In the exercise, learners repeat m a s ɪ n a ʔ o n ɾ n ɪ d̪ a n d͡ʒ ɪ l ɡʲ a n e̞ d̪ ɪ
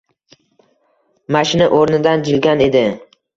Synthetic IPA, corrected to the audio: m a ʃ ɪ n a ʔ o ɾ n ɪ d̪ a n d͡ʒ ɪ l ɡʲ a n e̞ d̪ ɪ